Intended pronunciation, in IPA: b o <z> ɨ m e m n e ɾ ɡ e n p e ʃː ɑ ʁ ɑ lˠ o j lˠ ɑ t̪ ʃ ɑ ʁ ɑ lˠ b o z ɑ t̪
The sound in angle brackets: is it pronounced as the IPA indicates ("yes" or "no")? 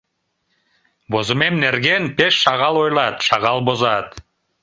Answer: yes